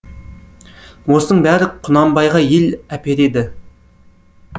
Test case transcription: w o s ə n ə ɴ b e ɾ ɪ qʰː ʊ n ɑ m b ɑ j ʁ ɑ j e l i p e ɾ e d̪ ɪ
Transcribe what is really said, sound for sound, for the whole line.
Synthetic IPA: w o s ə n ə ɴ b æ ɾ ɪ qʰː ʊ n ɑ m b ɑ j ʁ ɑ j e l æ p e ɾ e d̪ ɪ